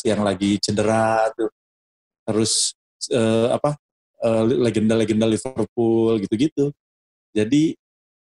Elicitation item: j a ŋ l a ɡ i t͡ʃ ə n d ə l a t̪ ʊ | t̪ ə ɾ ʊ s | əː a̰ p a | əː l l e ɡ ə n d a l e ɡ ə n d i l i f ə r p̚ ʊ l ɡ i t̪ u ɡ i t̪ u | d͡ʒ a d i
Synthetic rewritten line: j a ŋ l a ɡ i t͡ʃ ə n d ə ɾ a t̪ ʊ | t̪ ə ɾ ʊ s | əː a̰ p a | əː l l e ɡ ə n d a l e ɡ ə n d a l i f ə r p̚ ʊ l ɡ i t̪ u ɡ i t̪ u | d͡ʒ a d i